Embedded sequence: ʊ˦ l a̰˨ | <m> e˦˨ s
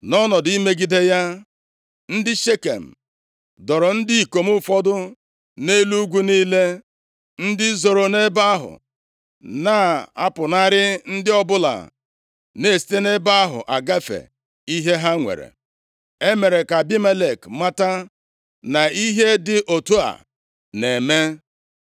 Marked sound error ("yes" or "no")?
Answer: yes